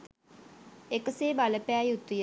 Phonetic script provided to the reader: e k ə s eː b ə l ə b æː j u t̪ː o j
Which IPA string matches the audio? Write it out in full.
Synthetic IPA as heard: e k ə s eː b a l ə p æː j u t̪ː u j